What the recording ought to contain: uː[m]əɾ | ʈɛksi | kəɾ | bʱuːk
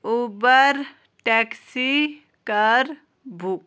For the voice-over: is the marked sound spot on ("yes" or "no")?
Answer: no